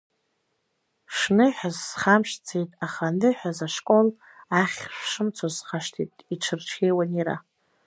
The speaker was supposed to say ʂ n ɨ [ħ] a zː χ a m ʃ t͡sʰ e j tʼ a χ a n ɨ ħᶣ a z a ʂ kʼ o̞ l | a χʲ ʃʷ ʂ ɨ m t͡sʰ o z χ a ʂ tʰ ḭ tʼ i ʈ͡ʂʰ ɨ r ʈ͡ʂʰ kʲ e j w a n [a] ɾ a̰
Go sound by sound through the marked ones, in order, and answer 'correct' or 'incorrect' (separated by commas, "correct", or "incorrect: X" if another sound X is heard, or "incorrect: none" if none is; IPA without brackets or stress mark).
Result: correct, incorrect: i